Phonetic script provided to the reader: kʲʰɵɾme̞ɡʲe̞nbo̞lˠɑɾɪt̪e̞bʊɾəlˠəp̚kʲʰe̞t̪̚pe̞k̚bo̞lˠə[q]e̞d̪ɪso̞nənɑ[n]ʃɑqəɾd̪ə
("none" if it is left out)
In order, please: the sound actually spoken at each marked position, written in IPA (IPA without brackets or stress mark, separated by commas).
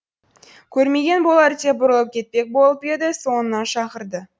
p, n